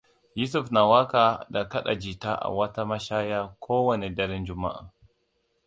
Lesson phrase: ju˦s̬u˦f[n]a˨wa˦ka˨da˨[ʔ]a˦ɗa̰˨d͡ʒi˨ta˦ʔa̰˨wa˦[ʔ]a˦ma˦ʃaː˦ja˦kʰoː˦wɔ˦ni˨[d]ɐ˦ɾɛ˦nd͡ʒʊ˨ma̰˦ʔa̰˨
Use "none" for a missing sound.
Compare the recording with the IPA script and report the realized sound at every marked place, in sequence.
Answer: n, k, t, d

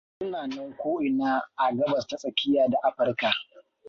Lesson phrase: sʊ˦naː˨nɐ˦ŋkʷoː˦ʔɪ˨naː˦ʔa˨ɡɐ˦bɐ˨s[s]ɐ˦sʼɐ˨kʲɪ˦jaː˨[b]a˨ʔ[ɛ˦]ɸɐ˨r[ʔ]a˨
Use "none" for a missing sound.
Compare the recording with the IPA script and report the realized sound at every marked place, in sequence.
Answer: t, d, a˦, k

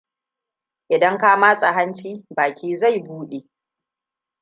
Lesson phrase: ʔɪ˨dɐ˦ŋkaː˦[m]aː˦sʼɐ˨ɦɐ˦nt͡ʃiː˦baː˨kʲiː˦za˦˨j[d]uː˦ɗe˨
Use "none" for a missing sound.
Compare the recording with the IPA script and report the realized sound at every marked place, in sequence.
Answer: m, b

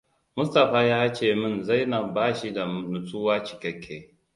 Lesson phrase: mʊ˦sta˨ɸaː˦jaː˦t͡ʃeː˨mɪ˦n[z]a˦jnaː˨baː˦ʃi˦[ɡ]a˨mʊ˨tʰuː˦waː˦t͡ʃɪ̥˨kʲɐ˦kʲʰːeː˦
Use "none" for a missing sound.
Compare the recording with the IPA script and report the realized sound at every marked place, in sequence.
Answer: z, d

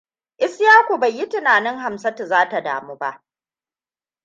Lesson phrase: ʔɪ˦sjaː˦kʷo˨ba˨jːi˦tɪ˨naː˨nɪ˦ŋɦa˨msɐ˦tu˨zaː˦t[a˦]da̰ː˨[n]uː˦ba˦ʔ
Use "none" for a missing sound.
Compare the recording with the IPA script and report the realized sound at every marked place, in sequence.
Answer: a˨, m

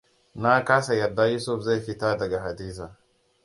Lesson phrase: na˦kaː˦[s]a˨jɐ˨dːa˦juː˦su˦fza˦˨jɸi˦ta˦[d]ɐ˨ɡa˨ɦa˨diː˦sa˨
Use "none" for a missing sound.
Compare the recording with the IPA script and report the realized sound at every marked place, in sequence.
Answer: s, d

